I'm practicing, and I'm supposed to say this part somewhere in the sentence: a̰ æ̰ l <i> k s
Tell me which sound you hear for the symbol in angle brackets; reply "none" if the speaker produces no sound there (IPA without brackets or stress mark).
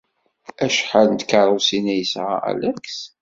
æ